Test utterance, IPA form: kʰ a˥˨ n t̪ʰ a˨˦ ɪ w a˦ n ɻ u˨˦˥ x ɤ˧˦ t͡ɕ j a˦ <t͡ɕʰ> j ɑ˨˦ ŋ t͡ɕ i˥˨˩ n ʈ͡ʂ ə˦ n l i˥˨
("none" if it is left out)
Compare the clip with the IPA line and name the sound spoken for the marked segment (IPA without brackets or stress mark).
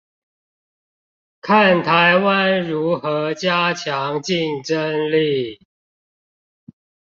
t͡ɕʰ